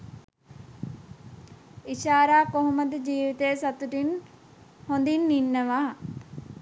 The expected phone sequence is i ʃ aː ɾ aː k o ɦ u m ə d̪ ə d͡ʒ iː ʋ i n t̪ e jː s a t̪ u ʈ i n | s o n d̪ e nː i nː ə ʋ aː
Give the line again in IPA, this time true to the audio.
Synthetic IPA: i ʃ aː ɾ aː k o ɦ u m ə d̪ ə d͡ʒ iː ʋ i t̪ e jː s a t̪ u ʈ i n | h o n d̪ i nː i nː ə ʋ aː